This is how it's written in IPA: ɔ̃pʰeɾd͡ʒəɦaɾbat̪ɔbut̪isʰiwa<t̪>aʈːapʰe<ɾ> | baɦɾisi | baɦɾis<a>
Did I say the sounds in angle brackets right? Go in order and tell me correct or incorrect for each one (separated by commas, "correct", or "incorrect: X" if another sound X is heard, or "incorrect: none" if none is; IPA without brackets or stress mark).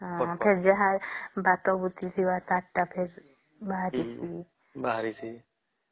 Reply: correct, correct, incorrect: i